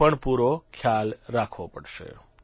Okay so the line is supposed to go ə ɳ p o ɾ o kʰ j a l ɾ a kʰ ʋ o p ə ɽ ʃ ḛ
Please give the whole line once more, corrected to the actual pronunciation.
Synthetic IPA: ə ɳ p u ɾ o kʰ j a l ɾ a kʰ ʋ o p ə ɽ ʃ ḛ

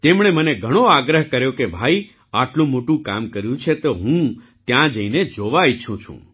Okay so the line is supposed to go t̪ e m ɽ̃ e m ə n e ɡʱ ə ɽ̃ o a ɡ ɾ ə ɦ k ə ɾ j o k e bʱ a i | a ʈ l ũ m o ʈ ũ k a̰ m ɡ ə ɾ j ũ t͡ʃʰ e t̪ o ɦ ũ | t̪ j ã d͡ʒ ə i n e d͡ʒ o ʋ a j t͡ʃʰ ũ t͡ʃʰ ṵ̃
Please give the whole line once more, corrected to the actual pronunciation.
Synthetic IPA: t̪ e m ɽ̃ e m ə n e ɡʱ ə ɽ̃ o a ɡ ɾ ə ɦ k ə ɾ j o k e bʱ a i | a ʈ l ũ m o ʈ ũ k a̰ m k ə ɾ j ũ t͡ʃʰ e t̪ o ɦ ũ | t̪ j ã d͡ʒ ə i n e d͡ʒ o ʋ a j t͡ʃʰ ũ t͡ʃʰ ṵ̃

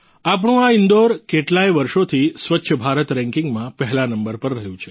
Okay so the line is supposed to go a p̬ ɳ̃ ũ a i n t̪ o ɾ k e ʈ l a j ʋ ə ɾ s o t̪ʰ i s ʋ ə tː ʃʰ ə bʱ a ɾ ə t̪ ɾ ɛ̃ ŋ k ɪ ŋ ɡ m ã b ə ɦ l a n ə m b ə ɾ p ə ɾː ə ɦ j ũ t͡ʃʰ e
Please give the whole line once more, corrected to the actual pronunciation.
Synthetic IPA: a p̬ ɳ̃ ũ a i n d̪ o ɾ k e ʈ l a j ʋ ə ɾ ʃ o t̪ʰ i s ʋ ə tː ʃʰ ə bʱ a ɾ ə t̪ ɾ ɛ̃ ŋ k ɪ ŋ ɡ m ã p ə ɦ l a n ə m b ə ɾ p ə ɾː ə ɦ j ũ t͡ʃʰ e

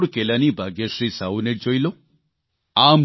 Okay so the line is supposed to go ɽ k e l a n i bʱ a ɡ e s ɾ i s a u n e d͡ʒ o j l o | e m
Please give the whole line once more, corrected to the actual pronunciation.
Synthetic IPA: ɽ k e l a n i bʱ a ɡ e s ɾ i s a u n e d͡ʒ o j l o | a m

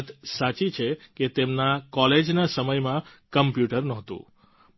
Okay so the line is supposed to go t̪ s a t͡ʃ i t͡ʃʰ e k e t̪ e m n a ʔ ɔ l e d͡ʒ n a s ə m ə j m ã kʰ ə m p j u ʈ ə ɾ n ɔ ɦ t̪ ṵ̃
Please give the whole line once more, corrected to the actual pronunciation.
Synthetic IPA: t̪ s a t͡ʃ i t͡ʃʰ e k e t̪ e m n a k ɔ l e d͡ʒ n a s ə m ə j m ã k ə m p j u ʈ ə ɾ n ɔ ɦ t̪ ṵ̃

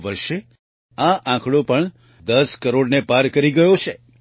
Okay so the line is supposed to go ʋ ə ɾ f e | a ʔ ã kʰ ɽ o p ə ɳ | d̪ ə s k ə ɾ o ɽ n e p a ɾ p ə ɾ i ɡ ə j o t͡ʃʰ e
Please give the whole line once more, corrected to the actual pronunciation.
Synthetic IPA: ʋ ə ɾ ʃ e | a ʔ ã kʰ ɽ o p ə ɳ | d̪ ə s k ə ɾ o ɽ n e p a ɾ k ə ɾ i ɡ ə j o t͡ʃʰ e

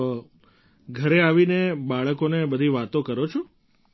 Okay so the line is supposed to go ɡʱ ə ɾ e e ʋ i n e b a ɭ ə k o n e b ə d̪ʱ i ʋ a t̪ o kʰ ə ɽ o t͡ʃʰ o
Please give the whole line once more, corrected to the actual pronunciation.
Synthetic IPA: ɡʱ ə ɾ e a ʋ i n e b a ɭ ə k o n e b ə d̪ʱ i ʋ a t̪ o k ə ɾ o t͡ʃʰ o

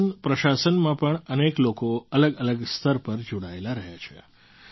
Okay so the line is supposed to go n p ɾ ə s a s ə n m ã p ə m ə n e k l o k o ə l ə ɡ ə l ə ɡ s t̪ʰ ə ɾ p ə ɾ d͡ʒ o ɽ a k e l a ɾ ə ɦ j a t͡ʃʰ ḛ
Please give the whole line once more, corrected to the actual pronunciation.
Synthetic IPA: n p ɾ ə ʃ a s ə n m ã p ə ɳ ə n e k l o k o ə l ə ɡ ə l ə ɡ s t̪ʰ ə ɾ p ə ɾ d͡ʒ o ɽ a e l a ɾ ə ɦ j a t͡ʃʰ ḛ

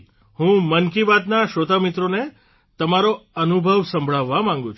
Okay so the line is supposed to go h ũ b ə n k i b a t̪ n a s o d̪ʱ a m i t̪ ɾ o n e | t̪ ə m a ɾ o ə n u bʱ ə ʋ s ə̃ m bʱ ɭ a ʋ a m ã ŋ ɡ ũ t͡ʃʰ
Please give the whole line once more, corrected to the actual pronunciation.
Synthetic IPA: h ũ m ə n k i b a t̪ n a ʃ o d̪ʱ a m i t̪ ɾ o n e | t̪ ə m a ɾ o ə n u bʱ ə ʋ s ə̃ m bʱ ɭ a ʋː a m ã ŋ ɡ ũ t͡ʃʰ

